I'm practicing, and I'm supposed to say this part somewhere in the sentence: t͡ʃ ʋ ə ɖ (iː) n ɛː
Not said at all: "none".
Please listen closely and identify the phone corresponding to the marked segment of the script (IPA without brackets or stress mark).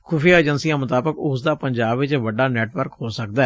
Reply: aː